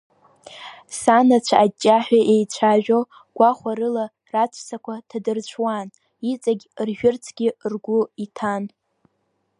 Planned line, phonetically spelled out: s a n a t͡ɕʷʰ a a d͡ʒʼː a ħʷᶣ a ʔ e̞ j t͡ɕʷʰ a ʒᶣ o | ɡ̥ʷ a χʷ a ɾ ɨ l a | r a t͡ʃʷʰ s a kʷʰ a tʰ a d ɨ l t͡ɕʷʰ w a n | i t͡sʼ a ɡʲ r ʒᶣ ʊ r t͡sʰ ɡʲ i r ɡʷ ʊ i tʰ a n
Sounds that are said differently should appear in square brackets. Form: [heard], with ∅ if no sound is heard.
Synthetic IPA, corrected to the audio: s a n a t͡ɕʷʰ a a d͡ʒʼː a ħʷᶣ a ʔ e̞ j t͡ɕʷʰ a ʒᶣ o | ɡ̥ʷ a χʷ a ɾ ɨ l a | r a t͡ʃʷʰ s a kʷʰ a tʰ a d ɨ [r] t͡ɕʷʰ w a n | i t͡sʼ a ɡʲ r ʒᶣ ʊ r t͡sʰ ɡʲ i r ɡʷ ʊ i tʰ a n

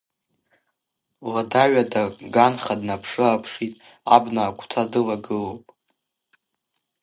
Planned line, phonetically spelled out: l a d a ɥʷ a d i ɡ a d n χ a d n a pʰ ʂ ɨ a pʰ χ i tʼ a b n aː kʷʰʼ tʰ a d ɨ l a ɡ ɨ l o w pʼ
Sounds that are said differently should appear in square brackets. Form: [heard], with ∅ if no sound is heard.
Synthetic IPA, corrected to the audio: l a d a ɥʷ a d [a] ɡ a [∅] n χ a d n a pʰ ʂ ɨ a pʰ [ʂ] i tʼ a b n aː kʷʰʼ tʰ a d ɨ l a ɡ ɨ l o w pʼ

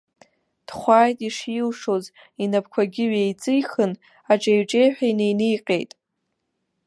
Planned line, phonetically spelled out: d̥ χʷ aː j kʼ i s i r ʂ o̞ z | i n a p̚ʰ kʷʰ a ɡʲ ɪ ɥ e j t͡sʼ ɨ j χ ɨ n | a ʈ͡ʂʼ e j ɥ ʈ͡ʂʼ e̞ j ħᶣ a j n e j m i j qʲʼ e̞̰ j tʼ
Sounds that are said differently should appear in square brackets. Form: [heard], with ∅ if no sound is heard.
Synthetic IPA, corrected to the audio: d̥ χʷ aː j [tʼ] i [ʂ] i [l] ʂ o̞ z | i n a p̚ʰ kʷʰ a ɡʲ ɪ ɥ e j t͡sʼ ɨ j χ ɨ n | a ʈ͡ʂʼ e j ɥ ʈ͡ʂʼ e̞ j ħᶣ a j n e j [n] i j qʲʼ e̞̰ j tʼ

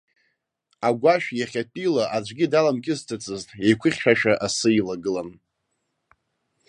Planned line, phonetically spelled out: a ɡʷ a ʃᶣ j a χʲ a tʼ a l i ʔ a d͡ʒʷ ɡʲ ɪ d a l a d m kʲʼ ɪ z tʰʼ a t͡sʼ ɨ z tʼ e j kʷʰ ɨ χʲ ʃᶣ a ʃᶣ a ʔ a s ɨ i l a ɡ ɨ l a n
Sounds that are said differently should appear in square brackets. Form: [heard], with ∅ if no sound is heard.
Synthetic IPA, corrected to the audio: a ɡʷ a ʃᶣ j a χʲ a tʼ [i] l [a] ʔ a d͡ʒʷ ɡʲ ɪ d a l a [∅] m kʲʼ ɪ z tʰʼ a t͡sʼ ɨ z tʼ e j kʷʰ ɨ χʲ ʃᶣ a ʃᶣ a ʔ a s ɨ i l a ɡ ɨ l a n

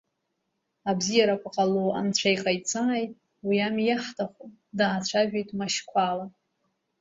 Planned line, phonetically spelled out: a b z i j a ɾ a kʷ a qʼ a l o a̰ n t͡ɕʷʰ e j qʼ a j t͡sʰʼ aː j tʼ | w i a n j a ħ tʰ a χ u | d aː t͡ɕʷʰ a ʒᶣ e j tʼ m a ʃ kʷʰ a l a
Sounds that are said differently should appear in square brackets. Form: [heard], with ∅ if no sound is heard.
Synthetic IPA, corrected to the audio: a b z i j a ɾ a kʷ a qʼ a l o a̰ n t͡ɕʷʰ [a] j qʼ a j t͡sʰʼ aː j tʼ | w i a [m] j a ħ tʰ a χ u | d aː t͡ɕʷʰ a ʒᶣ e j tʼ m a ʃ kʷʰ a l a

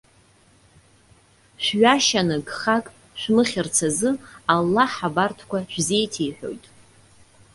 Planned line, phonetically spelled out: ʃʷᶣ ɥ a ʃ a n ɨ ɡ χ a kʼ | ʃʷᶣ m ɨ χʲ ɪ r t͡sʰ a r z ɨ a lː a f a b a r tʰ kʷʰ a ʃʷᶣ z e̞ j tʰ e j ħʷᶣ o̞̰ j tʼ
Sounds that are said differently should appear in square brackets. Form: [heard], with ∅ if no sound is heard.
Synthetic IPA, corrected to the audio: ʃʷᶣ ɥ a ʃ a n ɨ ɡ χ a kʼ | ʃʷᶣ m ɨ χʲ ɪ r t͡sʰ a [∅] z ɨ a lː a [ħ] a b a r tʰ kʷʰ a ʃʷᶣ z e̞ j tʰ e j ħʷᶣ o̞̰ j tʼ

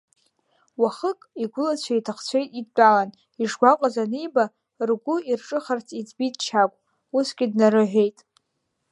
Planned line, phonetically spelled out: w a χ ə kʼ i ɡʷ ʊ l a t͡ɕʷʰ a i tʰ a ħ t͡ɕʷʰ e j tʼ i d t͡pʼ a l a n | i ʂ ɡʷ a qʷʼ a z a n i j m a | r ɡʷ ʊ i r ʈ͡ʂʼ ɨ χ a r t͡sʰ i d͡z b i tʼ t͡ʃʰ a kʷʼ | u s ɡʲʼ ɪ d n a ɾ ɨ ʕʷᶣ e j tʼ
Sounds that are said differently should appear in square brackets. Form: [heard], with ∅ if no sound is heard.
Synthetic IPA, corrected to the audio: w a χ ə kʼ i ɡʷ ʊ l a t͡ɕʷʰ a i tʰ a [χ] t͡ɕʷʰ e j tʼ i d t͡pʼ a l a n | i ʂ ɡʷ a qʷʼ a z a n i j [b] a | r ɡʷ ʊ i r ʈ͡ʂʼ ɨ χ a r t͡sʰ i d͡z b i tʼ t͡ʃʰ a kʷʼ | u s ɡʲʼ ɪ d n a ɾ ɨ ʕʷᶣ e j tʼ

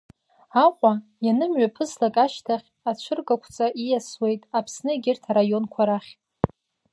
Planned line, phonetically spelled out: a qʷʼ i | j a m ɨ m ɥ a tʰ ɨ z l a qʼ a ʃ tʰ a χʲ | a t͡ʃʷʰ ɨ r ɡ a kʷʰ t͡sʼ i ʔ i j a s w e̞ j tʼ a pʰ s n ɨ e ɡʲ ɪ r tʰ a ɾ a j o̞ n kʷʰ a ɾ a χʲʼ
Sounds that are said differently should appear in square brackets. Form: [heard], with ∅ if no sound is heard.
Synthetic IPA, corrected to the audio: a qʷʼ [a] | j a [n] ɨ m ɥ a [pʰ] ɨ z l a [kʼ] a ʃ tʰ a χʲ | a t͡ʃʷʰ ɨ r ɡ a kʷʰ t͡sʼ [a] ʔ i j a s w e̞ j tʼ a pʰ s n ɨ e ɡʲ ɪ r tʰ a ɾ a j o̞ n kʷʰ a ɾ a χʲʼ

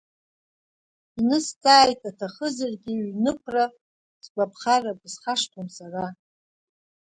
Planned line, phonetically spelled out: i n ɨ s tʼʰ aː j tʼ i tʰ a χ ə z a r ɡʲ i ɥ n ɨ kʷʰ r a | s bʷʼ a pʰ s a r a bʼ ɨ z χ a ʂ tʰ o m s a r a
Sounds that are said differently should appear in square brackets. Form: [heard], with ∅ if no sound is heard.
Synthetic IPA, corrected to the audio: i n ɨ s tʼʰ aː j tʼ [a] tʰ a χ ə z a r ɡʲ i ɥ n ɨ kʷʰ r a | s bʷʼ a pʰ [χ] a r a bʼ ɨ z χ a ʂ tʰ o m s a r a

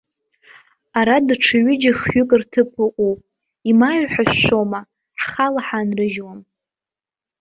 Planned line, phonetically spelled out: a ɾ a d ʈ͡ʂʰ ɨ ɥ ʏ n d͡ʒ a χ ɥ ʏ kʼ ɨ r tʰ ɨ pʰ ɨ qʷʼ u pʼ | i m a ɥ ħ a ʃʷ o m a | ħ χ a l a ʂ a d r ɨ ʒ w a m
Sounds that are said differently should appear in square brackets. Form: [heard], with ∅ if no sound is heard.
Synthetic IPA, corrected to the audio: a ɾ a d ʈ͡ʂʰ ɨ ɥ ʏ [∅] d͡ʒ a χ ɥ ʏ kʼ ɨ r tʰ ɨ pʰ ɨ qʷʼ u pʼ | i m a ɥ ħ a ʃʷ o m a | ħ χ a l a [ħ] a [n] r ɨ ʒ w a m

